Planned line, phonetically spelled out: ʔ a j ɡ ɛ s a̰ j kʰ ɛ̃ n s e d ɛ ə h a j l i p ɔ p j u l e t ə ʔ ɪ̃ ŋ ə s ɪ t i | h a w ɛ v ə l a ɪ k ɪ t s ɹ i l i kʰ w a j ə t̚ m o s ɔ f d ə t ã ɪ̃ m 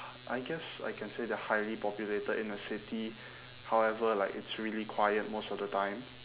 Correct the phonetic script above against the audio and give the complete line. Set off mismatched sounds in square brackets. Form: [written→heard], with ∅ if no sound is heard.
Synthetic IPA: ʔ a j ɡ ɛ s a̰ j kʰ ɛ̃ n s e d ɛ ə h a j l i p ɔ p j u l e t ə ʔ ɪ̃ [ŋ→n] ə s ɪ t i | h a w ɛ v ə l a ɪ k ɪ t s ɹ i l i kʰ w a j ə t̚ m o s ɔ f d ə t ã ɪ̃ m